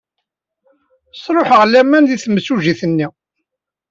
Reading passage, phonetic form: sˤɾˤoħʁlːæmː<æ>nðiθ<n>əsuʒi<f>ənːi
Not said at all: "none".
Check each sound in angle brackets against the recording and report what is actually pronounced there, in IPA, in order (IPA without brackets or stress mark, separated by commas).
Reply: æ, m, θ